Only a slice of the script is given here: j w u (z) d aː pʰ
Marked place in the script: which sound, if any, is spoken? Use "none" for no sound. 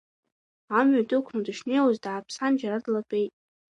z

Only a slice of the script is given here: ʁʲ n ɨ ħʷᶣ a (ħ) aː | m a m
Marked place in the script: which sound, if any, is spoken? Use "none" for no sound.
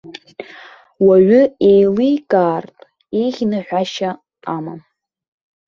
ʃ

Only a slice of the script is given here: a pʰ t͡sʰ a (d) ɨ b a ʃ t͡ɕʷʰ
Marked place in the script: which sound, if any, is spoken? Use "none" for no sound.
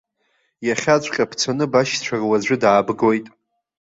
n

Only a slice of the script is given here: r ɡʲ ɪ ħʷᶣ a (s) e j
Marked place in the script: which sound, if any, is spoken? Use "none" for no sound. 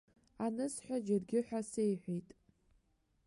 s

